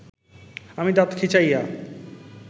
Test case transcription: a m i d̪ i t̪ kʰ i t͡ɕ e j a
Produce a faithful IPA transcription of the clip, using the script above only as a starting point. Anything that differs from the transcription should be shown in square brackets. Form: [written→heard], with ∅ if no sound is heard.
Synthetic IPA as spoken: a m i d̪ [i→a] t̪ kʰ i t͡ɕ [e→a] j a